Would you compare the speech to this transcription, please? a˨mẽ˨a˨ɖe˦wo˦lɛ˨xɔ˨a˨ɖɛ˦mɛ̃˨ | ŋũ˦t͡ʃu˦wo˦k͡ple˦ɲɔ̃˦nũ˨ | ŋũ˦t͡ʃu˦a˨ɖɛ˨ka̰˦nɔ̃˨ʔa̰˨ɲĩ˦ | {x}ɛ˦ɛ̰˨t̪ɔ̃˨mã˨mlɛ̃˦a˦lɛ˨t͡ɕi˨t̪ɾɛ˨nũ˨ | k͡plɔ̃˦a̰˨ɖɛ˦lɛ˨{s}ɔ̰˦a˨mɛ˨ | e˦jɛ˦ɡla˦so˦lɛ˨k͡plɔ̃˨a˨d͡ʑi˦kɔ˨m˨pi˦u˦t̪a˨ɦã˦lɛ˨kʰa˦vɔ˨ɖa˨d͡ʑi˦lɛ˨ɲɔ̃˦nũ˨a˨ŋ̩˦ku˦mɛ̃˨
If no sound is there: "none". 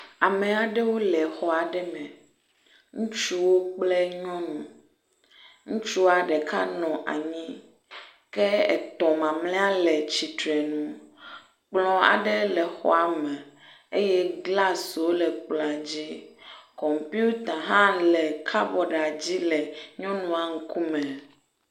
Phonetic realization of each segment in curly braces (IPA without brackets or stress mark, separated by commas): k, x